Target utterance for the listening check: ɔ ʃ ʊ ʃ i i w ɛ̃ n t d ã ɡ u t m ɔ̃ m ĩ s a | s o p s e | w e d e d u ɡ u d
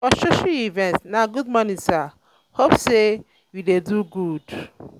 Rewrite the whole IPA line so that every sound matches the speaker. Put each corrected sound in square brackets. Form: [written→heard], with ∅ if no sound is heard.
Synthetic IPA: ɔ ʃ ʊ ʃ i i [w→v] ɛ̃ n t [d→n] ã ɡ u [t→d] m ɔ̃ [m→n] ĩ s a | [s→h] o p s e | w [e→i] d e d u ɡ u d